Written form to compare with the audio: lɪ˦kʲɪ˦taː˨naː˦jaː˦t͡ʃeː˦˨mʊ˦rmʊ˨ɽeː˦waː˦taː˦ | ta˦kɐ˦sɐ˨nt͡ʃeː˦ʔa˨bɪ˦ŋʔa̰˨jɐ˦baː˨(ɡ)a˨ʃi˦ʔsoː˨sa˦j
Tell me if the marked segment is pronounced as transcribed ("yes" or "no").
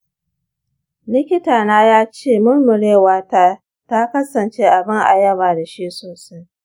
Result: no